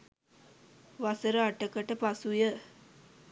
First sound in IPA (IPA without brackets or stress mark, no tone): ʋ